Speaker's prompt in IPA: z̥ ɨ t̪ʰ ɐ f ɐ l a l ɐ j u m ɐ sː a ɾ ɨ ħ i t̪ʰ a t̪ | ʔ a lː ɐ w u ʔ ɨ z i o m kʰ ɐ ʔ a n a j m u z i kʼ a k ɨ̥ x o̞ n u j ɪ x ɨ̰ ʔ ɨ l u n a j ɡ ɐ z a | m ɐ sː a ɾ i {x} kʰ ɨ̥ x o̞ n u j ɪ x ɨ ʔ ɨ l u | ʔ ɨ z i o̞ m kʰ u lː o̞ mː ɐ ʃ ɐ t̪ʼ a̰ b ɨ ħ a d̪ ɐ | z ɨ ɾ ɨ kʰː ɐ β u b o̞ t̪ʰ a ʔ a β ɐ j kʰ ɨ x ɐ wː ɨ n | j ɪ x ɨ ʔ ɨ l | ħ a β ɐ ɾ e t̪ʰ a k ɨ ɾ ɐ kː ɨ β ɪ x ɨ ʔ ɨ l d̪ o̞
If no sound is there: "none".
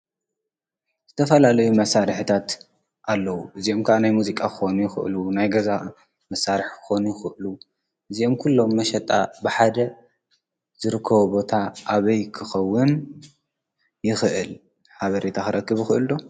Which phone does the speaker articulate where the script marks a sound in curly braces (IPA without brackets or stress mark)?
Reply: ħ